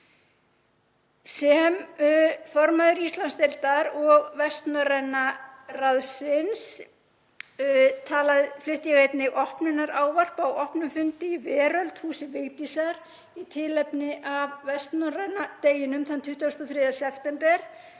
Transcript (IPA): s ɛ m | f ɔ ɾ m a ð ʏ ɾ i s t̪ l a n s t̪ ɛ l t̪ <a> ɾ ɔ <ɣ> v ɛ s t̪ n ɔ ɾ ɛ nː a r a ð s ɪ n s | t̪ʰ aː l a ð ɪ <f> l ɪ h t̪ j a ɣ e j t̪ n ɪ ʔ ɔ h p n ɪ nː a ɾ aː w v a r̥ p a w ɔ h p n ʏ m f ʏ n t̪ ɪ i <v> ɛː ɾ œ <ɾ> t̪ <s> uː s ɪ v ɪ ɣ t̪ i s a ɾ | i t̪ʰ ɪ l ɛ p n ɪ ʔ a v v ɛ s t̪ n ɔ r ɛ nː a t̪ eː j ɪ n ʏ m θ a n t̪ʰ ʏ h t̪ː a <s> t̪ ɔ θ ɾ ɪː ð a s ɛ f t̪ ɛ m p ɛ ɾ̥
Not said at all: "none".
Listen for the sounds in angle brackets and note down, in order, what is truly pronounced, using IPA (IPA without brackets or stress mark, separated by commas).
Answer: a, ɣ, f, v, l, h, s